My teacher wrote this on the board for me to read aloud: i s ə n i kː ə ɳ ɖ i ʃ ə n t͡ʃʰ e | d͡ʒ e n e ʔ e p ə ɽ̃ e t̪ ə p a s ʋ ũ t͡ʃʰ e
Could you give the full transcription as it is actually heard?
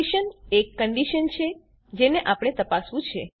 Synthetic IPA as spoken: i ʃ ə n e kː ə ɳ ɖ i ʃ ə n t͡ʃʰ e | d͡ʒ e n e ʔ a p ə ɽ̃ e t̪ ə p a s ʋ ũ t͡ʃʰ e